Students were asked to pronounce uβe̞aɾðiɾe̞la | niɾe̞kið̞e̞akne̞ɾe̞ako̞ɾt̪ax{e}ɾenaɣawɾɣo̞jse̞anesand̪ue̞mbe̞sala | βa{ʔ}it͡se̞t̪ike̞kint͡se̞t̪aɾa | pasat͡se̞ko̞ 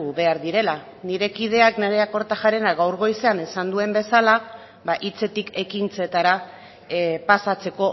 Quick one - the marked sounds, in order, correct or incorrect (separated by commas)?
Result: incorrect, correct